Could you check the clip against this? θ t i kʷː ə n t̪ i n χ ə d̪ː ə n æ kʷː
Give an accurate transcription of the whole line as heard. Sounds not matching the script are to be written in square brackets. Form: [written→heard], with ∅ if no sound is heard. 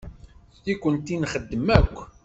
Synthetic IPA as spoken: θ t i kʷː ə n t̪ i n χ ə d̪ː ə [n→m] æ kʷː